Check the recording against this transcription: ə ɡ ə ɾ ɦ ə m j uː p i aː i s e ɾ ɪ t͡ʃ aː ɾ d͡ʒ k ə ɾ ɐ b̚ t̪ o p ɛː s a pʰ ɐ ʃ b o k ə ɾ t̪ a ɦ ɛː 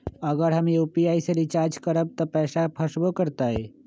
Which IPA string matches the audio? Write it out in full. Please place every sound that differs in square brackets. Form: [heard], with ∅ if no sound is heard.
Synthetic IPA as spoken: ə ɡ ə ɾ ɦ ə m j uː p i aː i s e ɾ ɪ t͡ʃ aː ɾ d͡ʒ k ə ɾ [ə] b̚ t̪ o p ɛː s a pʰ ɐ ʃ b o k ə ɾ t̪ a ɦ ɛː